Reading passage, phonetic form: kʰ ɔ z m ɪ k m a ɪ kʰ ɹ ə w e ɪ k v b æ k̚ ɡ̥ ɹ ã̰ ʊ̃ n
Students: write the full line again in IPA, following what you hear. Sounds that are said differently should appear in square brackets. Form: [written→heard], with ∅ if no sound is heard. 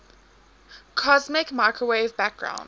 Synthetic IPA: kʰ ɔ z m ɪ k m a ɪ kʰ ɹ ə w e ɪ [k→∅] v b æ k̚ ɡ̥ ɹ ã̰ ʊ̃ n